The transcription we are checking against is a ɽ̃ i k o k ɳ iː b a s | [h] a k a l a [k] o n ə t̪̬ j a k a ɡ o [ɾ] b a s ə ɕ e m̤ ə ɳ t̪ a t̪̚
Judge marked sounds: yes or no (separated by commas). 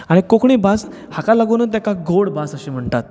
yes, no, no